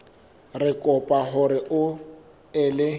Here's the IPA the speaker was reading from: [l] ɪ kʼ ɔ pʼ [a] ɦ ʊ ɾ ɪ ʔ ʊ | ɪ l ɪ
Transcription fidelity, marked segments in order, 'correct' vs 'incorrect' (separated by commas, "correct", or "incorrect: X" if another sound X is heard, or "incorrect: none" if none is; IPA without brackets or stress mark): incorrect: r, correct